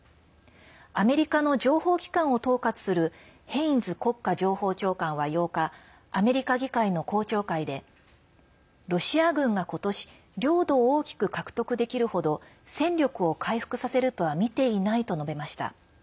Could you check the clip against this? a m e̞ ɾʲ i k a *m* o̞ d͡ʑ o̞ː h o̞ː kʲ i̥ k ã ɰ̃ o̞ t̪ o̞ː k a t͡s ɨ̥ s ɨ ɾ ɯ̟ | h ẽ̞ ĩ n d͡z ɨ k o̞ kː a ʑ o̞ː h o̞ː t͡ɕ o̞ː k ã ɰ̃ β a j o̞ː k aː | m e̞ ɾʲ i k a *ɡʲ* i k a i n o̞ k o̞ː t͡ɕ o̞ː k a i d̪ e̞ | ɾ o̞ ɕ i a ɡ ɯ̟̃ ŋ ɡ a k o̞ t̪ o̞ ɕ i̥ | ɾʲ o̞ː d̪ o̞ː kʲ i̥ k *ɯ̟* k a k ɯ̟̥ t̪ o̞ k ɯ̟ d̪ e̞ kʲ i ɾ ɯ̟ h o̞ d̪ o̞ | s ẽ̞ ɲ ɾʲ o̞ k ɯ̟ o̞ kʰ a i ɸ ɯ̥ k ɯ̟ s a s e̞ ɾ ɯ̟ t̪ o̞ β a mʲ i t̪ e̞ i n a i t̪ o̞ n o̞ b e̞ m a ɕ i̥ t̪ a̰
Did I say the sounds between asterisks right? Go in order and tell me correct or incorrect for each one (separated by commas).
incorrect, correct, correct